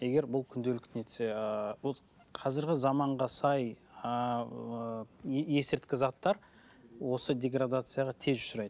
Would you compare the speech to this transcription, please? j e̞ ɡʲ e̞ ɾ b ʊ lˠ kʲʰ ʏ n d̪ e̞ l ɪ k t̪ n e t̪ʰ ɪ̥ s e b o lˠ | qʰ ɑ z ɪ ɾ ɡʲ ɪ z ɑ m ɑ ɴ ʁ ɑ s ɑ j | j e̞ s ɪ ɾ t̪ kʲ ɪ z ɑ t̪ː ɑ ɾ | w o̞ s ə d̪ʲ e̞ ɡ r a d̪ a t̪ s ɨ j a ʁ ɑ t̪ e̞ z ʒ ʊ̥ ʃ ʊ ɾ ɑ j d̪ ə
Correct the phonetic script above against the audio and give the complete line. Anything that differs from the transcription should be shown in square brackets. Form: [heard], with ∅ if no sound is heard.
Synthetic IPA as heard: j e̞ ɡʲ e̞ ɾ b ʊ lˠ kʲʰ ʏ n d̪ e̞ l ɪ k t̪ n e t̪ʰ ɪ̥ s e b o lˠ | qʰ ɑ z ɪ ɾ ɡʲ ɪ z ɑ m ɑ ɴ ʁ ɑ s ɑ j | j e̞ s ɪ ɾ t̪ kʲ ɪ z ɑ t̪ː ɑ ɾ | w o̞ s ə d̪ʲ e̞ ɡ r a d̪ a t̪ s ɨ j a ʁ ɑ [t̪ʰ] e̞ z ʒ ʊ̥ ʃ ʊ ɾ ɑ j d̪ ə